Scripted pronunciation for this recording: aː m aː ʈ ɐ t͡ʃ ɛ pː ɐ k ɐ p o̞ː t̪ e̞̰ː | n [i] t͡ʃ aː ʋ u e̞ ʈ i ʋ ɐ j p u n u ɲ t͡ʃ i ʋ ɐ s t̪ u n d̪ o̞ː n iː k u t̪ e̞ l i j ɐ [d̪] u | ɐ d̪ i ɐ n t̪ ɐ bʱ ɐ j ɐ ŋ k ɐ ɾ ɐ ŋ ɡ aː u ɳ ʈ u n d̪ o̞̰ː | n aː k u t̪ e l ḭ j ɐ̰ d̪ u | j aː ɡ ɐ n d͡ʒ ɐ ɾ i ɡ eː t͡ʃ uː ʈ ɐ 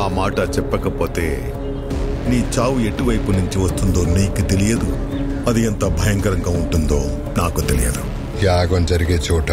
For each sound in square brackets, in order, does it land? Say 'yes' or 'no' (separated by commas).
no, yes